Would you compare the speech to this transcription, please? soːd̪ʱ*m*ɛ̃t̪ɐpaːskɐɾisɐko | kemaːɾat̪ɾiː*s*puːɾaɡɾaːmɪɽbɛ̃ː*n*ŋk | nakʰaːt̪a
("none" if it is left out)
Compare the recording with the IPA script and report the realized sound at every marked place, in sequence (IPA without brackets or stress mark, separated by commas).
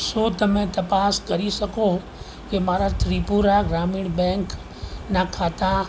m, none, none